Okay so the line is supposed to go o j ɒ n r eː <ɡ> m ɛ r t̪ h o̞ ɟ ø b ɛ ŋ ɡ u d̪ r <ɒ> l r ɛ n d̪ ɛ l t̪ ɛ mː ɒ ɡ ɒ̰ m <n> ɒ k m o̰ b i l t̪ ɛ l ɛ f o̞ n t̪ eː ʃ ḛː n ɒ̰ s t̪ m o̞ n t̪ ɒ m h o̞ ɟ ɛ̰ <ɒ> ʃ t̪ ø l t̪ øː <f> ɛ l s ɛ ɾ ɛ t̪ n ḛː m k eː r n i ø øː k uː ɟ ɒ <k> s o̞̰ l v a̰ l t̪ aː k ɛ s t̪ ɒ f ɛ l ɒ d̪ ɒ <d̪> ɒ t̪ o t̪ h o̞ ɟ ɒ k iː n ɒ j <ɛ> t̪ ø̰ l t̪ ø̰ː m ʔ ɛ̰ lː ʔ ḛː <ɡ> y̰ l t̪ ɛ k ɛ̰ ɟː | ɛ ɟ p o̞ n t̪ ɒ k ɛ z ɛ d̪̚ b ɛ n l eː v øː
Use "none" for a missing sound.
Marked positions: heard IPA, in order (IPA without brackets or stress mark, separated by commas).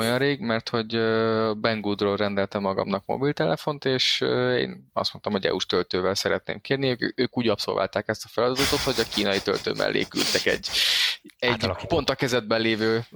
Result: ɡ, o, n, u, v, p, d̪, i, k